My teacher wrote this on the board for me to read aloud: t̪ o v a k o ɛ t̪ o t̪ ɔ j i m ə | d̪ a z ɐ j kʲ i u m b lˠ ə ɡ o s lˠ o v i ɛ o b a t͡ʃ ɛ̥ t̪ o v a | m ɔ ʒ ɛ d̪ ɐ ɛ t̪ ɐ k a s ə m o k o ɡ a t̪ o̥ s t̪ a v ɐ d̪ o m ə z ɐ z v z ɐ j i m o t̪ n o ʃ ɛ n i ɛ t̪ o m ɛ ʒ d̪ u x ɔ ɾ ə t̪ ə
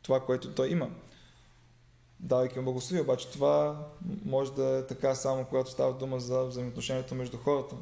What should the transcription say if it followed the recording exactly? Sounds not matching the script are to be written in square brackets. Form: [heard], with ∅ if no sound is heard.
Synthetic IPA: t̪ o v a k o ɛ t̪ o t̪ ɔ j i m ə | d̪ a [v] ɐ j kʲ i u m b lˠ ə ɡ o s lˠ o v i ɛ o b a t͡ʃ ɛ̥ t̪ o v a | m ɔ ʒ ɛ d̪ ɐ ɛ t̪ ɐ k a s [a] m o k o ɡ a t̪ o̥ s t̪ a v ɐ d̪ [u] m ə z ɐ [∅] v z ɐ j i m o t̪ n o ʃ ɛ n i ɛ t̪ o m ɛ ʒ d̪ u x ɔ ɾ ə t̪ ə